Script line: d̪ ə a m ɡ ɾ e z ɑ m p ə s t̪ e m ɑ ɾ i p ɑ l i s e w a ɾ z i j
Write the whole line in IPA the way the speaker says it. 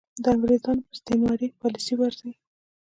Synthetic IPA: d̪ ə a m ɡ ɾ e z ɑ n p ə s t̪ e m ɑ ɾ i p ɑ l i s i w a ɾ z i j